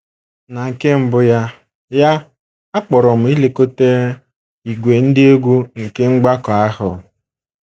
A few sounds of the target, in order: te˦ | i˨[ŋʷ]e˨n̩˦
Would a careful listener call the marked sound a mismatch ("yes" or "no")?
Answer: yes